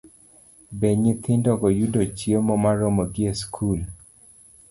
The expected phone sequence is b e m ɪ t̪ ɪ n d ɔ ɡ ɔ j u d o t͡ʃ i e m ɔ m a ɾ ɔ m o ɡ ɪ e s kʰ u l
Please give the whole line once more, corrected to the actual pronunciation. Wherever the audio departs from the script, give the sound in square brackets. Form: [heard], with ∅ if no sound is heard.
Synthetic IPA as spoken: b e [ɲ] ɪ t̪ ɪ n d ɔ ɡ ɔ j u d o t͡ʃ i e m ɔ m a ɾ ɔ m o ɡ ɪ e s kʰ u l